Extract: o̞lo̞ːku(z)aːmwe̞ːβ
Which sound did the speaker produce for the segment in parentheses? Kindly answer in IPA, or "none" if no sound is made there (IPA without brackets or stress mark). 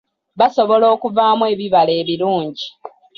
v